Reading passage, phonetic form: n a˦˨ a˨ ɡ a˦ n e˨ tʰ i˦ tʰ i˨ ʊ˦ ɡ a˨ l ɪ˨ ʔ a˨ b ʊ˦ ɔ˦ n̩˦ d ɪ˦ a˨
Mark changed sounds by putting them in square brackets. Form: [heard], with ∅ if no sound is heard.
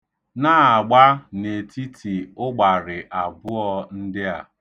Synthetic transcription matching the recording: n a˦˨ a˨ [ɡ͡b] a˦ n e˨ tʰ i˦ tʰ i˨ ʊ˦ [ɡ͡b] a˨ [ɾ] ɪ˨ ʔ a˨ b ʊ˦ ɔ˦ n̩˦ d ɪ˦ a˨

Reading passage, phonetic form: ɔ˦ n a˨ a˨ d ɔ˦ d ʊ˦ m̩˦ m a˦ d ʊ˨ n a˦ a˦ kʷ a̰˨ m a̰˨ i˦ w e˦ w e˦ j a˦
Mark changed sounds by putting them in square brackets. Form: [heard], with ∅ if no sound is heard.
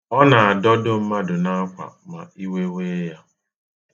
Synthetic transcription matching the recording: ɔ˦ n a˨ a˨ d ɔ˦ d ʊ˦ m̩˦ m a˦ d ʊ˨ n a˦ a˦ kʷ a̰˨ m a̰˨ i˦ w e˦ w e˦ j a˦

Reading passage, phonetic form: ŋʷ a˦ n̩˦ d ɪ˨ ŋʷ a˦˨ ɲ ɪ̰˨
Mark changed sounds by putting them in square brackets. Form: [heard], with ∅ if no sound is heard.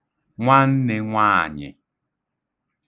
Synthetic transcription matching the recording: ŋʷ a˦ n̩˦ [n] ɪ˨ ŋʷ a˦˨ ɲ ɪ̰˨

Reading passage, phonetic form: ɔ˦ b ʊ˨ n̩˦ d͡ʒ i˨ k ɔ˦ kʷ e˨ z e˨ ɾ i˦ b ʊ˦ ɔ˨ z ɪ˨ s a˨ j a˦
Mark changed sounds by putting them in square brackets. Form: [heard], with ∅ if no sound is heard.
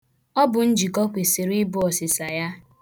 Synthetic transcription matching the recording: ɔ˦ b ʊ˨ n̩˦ d͡ʒ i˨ k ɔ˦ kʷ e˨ [s] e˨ ɾ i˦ b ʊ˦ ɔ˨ [s] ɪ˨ s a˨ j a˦

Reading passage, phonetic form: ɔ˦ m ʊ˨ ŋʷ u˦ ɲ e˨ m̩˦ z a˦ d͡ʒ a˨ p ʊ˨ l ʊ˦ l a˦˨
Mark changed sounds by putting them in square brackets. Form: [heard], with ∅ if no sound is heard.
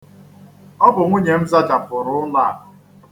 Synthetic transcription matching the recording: ɔ˦ [b] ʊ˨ ŋʷ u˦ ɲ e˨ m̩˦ z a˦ d͡ʒ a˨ p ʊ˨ [ɾ] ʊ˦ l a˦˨

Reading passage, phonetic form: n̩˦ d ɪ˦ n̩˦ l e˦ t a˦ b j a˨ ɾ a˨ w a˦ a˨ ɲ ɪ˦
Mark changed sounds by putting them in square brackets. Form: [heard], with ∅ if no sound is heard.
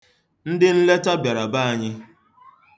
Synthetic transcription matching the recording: n̩˦ d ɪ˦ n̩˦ l e˦ t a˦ b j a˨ ɾ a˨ [b] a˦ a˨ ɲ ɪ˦

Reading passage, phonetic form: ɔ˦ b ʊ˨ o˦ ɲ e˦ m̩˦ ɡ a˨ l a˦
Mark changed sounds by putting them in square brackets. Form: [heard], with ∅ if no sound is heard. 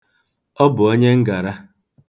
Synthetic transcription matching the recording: ɔ˦ b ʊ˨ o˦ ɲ e˦ [ŋ̩˦] ɡ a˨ [ɾ] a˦

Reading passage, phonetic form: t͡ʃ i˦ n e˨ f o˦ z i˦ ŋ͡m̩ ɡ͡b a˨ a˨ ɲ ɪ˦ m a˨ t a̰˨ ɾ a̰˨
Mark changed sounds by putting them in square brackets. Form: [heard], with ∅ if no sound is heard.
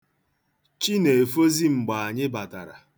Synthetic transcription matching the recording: t͡ʃ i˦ n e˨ f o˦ z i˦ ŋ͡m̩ ɡ͡b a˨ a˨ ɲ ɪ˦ [b] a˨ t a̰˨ ɾ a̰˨

